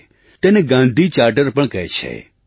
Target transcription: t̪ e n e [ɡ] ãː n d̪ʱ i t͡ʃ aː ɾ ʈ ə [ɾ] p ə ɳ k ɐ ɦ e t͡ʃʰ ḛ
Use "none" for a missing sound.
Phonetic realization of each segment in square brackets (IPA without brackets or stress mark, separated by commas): ɡ, ɾ